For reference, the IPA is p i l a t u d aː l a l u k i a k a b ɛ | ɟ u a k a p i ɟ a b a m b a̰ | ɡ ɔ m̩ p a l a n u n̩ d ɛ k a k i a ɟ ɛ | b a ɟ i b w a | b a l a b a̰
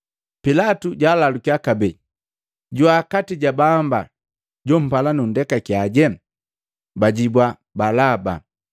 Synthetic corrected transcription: p i l a t u ɟ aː l a l u k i a k a b ɛ | ɟ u a k a t i ɟ a b a m b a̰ | ɟ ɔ m̩ p a l a n u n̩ d ɛ k a k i a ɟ ɛ | b a ɟ i b w a | b a l a b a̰